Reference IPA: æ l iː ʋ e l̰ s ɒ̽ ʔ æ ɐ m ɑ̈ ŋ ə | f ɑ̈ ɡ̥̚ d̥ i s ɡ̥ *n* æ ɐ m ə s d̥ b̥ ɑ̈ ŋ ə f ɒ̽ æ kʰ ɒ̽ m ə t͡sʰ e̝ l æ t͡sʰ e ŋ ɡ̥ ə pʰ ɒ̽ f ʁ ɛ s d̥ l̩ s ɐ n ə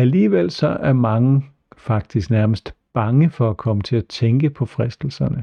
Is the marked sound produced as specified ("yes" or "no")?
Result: yes